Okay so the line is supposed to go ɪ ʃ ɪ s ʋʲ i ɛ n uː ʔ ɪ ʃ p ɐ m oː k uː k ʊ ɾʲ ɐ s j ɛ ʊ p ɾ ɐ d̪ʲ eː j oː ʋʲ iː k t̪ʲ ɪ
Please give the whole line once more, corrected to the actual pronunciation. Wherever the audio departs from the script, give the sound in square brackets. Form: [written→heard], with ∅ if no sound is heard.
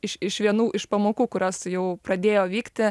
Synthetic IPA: ɪ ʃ ɪ [s→ʃ] ʋʲ i ɛ n uː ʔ ɪ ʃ p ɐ m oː k uː k ʊ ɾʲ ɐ s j ɛ ʊ p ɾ ɐ d̪ʲ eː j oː ʋʲ iː k t̪ʲ ɪ